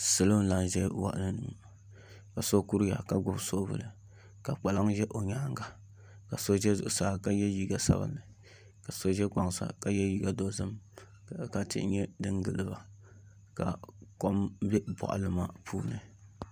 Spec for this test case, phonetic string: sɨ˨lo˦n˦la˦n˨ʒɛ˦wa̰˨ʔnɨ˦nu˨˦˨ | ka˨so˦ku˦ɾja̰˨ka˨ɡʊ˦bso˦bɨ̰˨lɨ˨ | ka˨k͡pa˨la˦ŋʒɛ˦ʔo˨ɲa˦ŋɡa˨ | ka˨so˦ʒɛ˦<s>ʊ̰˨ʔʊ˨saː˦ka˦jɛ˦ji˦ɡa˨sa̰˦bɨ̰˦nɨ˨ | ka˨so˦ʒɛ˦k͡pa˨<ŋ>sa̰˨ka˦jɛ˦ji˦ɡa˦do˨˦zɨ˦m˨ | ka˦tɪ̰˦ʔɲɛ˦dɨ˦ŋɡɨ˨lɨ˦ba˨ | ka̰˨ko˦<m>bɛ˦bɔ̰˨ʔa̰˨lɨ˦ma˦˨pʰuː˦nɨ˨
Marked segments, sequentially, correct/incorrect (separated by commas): incorrect, correct, correct